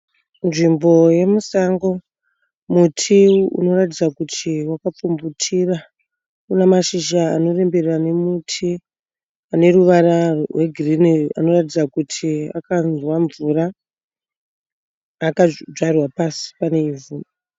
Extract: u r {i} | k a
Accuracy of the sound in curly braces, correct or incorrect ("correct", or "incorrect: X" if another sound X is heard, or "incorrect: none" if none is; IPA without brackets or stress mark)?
incorrect: a